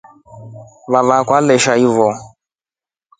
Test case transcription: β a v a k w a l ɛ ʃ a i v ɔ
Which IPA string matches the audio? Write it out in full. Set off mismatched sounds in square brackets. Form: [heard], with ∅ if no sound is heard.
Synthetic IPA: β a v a k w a l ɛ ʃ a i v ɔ

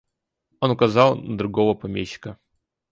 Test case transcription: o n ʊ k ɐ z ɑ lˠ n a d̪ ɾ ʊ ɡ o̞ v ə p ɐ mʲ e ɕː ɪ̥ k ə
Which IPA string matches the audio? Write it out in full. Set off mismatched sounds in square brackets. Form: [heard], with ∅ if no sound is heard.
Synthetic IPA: o n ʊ k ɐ z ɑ lˠ n [ə] d̪ ɾ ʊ ɡ o̞ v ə p ɐ mʲ e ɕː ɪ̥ k ə

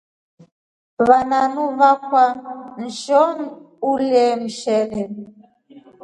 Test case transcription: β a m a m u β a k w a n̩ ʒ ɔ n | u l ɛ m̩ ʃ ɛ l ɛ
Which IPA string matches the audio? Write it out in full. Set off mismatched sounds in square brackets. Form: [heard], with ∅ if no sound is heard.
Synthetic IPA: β a [n] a [n] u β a k w a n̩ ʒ ɔ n | u l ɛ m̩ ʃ ɛ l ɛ

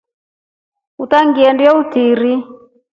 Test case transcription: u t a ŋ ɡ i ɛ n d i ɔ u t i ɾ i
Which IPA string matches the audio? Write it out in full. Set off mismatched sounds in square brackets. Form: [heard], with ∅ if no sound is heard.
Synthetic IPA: u t a ŋ ɡ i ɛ n d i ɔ u t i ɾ i

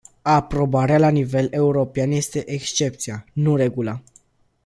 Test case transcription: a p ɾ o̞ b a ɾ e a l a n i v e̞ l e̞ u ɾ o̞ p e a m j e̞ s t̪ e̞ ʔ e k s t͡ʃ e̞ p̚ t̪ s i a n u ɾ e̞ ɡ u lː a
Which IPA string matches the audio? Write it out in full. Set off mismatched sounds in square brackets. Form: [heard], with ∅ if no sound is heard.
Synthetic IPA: a p ɾ o̞ b a ɾ e a l a n i v e̞ l e̞ u ɾ o̞ p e a [n] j e̞ s t̪ e̞ ʔ e k s t͡ʃ e̞ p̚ t̪ s i a n u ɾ e̞ ɡ u [l] a

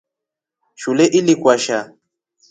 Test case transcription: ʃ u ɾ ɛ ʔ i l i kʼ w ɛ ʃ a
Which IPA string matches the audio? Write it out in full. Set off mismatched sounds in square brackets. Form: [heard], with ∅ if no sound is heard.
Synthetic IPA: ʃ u [l] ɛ ʔ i l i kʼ w [a] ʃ a

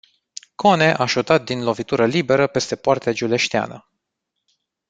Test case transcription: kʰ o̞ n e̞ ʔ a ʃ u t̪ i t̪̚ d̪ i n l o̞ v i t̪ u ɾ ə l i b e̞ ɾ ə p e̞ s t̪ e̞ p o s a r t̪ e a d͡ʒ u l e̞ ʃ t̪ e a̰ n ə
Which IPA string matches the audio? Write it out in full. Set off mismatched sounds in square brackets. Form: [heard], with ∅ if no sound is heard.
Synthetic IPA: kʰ o̞ n e̞ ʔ a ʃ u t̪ [a] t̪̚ d̪ i n l o̞ v i t̪ u ɾ ə l i b e̞ ɾ ə p e̞ s t̪ e̞ p o [∅] a r t̪ e a d͡ʒ u l e̞ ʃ t̪ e a̰ n ə

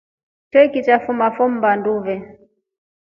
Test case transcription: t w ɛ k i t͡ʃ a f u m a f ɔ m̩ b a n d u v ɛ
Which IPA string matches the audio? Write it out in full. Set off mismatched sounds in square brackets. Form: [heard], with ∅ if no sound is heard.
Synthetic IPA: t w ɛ k i t͡ʃ a f u m a f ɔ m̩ b a n d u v ɛ

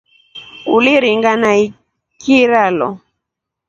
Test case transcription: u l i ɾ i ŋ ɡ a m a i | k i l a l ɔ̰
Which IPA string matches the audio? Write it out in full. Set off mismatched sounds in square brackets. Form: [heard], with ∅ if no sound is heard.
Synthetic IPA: u l i ɾ i ŋ ɡ a [n] a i | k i [ɾ] a l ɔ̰

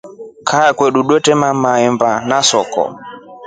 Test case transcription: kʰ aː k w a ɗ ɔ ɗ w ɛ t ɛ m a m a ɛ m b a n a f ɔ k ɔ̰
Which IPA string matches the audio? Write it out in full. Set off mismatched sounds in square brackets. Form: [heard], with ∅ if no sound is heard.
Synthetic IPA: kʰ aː k w [ɛ] ɗ [u] ɗ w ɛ t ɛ m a m a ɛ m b a n a [s] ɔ k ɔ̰

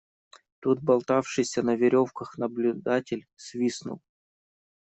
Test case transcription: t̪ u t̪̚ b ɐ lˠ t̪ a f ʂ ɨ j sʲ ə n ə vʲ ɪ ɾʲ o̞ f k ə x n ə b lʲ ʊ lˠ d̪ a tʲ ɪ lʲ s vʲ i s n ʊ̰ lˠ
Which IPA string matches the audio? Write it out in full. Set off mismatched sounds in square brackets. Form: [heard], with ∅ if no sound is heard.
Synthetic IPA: t̪ u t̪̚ b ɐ lˠ t̪ a f ʂ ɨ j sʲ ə n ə vʲ ɪ ɾʲ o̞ f k ə x n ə b lʲ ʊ [∅] d̪ a tʲ ɪ lʲ s vʲ i s n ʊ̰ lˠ

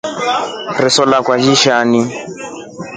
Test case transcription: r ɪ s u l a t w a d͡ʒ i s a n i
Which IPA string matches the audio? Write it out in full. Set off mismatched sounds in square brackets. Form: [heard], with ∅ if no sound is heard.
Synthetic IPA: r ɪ s [ɔ] l a [k] w a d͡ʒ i [ʃ] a n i

